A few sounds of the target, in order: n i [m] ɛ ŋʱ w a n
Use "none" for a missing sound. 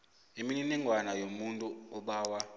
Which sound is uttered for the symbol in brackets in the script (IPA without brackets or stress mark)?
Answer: n